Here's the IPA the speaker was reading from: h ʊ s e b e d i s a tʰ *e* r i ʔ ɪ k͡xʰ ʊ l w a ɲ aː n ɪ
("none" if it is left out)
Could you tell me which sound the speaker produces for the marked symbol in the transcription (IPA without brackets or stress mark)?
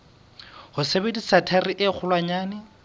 a